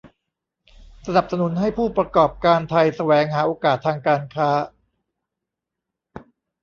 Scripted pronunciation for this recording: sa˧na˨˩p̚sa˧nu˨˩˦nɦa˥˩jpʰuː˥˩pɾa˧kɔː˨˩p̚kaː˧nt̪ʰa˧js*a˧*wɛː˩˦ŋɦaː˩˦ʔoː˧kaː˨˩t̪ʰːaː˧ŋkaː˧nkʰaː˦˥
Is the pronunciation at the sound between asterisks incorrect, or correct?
correct